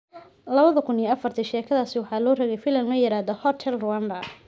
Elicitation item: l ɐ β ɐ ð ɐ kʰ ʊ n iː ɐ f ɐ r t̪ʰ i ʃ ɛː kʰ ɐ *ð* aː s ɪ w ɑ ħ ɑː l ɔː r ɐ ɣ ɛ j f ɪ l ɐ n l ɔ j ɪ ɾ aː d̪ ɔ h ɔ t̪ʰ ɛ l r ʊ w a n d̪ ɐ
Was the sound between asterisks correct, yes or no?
yes